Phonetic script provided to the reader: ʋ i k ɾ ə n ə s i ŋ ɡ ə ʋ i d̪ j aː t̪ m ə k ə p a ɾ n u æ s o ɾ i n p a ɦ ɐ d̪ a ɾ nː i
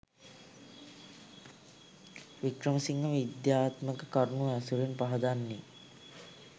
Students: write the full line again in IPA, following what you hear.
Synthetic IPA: ʋ i k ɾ ə m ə s i ŋ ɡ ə ʋ i d̪ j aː t̪ m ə k ə k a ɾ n u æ s u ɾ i n p a ɦ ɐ d̪ a nː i